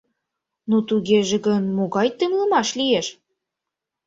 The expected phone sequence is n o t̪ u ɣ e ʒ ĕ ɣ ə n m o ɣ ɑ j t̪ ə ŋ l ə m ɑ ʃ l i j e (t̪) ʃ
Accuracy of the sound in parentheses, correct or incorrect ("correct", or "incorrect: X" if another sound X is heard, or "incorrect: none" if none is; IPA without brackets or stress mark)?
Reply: incorrect: none